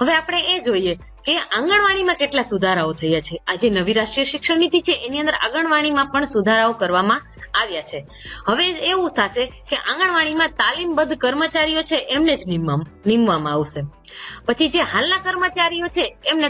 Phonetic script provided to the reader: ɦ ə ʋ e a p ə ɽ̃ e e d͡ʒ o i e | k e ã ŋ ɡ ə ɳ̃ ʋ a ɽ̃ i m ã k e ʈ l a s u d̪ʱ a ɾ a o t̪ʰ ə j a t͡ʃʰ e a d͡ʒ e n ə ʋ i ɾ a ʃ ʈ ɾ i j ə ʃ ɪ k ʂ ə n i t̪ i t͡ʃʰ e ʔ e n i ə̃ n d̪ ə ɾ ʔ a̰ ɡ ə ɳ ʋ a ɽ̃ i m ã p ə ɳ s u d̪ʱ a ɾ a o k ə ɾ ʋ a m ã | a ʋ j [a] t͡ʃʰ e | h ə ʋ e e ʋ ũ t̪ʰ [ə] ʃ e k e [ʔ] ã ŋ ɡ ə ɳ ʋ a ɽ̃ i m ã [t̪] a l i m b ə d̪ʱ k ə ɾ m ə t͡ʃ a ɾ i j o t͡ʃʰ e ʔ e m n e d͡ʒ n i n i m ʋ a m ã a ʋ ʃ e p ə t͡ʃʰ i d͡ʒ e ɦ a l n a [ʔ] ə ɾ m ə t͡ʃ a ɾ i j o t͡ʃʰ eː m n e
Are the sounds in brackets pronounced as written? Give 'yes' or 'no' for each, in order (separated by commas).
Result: yes, no, yes, yes, no